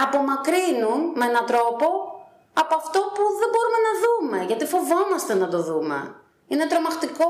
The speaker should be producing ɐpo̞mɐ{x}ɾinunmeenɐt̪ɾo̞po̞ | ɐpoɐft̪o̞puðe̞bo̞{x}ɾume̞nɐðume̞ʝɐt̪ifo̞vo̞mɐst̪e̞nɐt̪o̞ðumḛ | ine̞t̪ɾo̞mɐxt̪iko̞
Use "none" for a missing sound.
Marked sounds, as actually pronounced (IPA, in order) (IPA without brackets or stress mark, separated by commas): k, none